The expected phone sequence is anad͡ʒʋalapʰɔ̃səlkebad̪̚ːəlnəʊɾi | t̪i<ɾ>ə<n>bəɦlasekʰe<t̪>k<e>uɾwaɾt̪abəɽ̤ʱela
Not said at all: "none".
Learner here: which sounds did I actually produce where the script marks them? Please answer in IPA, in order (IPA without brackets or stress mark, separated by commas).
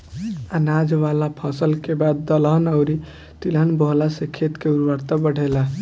l, n, t̪, e